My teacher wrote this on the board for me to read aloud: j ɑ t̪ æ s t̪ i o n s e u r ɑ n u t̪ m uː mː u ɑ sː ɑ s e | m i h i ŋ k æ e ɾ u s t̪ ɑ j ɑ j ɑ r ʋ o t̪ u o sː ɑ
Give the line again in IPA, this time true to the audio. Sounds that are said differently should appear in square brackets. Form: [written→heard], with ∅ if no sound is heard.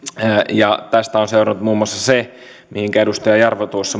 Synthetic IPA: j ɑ t̪ æ s t̪ [i→æ] o n s e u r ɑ n u t̪ m uː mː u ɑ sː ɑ s e | m i h i ŋ k æ e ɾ u s t̪ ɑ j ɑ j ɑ r ʋ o t̪ u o sː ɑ